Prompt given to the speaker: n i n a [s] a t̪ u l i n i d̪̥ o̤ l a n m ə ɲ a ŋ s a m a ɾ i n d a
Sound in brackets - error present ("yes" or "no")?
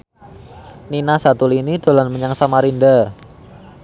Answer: no